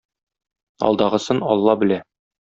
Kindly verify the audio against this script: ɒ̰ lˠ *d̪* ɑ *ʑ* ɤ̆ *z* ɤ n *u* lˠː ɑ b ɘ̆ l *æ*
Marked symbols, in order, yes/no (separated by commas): yes, no, no, no, yes